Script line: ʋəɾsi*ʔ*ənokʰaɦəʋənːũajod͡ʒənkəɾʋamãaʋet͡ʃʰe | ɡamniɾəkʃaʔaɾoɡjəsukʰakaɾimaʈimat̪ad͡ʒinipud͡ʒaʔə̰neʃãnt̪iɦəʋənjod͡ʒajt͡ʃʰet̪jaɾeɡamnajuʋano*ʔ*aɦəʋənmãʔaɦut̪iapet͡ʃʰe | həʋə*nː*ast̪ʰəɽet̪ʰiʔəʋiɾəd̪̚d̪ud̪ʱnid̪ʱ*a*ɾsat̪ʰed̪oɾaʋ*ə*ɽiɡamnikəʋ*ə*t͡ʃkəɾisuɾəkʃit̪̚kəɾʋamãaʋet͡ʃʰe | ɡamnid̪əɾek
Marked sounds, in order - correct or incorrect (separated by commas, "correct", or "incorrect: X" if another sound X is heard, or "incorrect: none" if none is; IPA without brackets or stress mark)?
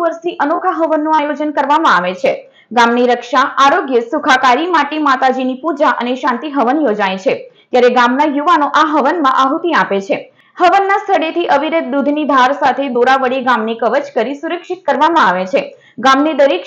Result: correct, correct, correct, correct, correct, correct